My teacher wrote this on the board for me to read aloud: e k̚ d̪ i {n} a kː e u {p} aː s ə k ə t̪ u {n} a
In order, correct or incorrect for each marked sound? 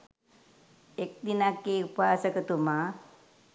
correct, correct, incorrect: m

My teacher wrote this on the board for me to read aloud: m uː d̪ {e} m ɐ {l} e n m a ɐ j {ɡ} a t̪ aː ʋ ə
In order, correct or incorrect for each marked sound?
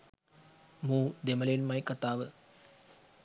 correct, correct, incorrect: k

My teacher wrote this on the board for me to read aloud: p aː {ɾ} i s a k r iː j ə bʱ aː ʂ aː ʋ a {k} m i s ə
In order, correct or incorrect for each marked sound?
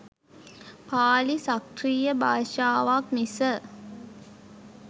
incorrect: l, correct

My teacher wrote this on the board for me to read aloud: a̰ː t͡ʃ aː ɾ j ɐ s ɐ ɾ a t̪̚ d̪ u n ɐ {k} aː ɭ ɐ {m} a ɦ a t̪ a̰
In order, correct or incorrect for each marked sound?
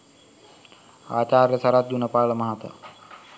incorrect: p, correct

